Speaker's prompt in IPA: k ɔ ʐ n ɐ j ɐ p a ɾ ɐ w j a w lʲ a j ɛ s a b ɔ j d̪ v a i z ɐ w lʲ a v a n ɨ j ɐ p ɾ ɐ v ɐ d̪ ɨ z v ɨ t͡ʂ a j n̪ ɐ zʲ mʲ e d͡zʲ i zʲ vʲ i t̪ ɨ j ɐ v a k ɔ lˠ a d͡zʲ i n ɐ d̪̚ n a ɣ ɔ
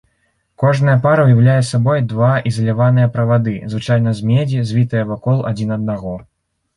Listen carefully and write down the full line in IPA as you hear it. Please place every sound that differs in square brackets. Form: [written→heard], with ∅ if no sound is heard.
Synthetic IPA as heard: k ɔ ʐ n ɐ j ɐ p a ɾ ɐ w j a w lʲ a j ɛ s a b ɔ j d̪ v a i z ɐ [w→∅] lʲ a v a n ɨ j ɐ p ɾ ɐ v [ɐ→a] d̪ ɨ z v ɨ t͡ʂ a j n̪ ɐ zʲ mʲ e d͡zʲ i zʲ vʲ i t̪ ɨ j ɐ v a k ɔ lˠ a d͡zʲ i n ɐ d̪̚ n a ɣ ɔ